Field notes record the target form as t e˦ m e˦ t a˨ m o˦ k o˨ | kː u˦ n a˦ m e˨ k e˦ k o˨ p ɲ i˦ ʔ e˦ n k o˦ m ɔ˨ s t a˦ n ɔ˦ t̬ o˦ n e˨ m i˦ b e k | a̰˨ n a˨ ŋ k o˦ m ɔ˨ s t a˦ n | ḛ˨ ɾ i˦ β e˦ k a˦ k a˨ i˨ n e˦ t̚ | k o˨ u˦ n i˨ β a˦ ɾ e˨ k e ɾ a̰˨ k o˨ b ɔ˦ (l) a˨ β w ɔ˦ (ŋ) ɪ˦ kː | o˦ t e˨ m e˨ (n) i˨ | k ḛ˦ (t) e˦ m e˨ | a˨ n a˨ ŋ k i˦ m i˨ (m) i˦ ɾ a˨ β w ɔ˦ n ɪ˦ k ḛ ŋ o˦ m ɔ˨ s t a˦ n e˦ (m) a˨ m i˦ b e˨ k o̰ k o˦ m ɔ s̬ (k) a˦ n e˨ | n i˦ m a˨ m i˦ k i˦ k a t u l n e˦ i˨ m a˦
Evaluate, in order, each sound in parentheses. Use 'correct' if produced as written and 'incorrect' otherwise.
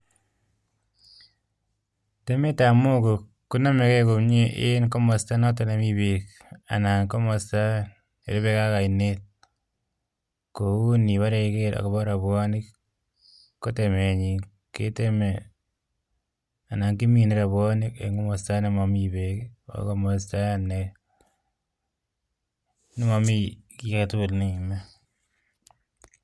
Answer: incorrect, incorrect, incorrect, correct, incorrect, correct, incorrect

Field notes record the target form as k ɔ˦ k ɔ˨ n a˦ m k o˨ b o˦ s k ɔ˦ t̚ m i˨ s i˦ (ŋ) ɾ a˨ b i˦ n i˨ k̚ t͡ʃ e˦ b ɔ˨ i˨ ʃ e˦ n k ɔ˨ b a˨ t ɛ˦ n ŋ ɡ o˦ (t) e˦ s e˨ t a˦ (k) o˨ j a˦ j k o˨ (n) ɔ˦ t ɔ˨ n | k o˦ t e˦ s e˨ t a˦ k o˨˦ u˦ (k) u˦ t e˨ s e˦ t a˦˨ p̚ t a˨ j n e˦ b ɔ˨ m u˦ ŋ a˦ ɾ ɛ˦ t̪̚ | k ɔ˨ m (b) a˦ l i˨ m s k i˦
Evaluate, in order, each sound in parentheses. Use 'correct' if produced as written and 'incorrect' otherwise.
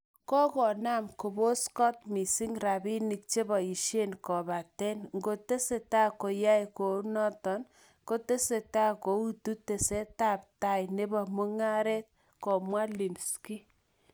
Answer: correct, correct, correct, correct, incorrect, incorrect

